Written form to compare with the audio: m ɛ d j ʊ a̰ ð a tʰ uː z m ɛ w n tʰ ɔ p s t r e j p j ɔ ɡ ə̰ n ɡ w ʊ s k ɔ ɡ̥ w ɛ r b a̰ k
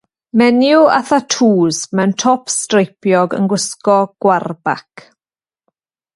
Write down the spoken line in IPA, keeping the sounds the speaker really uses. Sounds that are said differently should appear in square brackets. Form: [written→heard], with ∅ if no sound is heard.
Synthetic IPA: m ɛ [d→n] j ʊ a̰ [ð→θ] a tʰ uː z m ɛ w n tʰ ɔ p s t r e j p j ɔ ɡ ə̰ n ɡ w ʊ s k ɔ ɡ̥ w [ɛ→a] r b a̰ k